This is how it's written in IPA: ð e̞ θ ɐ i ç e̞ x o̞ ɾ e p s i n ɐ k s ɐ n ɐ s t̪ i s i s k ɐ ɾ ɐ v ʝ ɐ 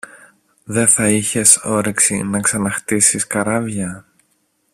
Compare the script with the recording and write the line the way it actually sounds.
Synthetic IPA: ð e̞ θ ɐ i ç e̞ s o̞ ɾ e k s i n ɐ k s ɐ n ɐ x t̪ i s i s k ɐ ɾ ɐ v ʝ ɐ